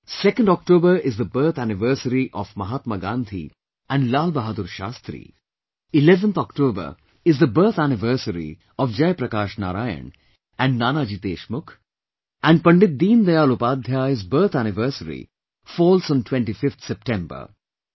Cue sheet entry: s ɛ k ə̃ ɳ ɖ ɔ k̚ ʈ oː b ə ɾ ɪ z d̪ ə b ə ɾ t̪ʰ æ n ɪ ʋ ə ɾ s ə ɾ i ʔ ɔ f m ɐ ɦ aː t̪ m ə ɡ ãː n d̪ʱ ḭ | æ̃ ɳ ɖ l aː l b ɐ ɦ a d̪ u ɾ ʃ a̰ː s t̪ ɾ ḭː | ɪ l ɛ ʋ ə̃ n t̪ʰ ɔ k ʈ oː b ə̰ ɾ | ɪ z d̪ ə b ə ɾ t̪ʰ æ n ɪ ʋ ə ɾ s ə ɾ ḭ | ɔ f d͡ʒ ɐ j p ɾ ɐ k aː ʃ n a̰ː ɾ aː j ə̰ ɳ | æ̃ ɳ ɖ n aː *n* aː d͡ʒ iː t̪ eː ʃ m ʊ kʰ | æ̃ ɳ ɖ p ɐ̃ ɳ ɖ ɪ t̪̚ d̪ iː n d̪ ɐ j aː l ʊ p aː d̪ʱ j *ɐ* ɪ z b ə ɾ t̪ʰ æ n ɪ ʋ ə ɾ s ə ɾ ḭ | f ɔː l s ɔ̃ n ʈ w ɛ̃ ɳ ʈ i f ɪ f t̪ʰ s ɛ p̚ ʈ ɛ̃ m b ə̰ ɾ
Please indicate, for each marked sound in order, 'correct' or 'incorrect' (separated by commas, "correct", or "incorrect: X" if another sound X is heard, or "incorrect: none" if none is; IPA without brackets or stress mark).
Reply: correct, incorrect: a